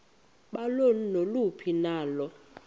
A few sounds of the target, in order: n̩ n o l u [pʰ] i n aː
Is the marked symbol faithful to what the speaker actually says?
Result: yes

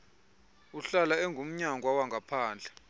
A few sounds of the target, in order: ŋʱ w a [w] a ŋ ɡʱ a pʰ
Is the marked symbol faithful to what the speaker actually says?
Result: yes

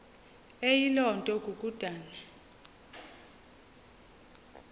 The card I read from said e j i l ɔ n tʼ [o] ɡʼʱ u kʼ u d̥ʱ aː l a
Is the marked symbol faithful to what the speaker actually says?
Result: no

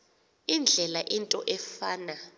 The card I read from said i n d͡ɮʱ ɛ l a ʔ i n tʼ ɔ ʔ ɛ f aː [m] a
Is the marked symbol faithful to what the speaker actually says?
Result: no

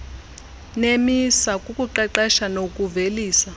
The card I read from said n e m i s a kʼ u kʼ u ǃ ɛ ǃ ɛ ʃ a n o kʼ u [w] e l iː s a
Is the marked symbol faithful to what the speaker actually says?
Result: no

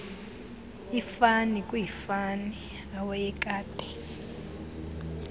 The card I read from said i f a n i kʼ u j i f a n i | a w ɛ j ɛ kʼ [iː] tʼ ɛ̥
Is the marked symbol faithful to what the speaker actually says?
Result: no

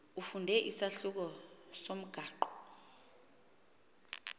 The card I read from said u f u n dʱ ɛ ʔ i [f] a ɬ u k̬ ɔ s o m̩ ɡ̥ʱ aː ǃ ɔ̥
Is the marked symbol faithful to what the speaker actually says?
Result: no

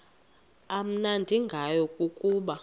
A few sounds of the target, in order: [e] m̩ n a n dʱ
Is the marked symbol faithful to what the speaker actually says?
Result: no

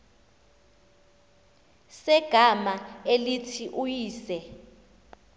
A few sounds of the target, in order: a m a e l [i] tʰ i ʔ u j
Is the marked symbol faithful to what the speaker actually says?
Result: yes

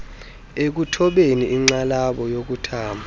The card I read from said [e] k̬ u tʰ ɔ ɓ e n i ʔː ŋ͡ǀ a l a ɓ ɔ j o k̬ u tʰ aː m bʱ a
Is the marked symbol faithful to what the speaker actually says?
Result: yes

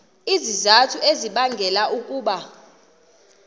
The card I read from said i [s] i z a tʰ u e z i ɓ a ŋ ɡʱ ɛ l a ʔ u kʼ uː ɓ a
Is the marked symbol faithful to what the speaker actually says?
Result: no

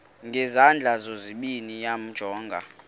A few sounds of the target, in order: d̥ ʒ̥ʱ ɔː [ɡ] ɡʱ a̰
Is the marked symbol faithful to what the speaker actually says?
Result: no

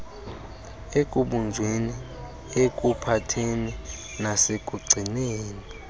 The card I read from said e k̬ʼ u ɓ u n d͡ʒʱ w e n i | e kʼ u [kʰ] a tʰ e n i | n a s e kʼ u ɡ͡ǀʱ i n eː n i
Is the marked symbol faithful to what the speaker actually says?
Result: no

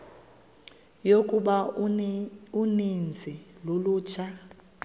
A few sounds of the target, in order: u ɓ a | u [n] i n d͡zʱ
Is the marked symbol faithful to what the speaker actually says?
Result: yes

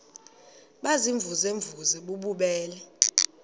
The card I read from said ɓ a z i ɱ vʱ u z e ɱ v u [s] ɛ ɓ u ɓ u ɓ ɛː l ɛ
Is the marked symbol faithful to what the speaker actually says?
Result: no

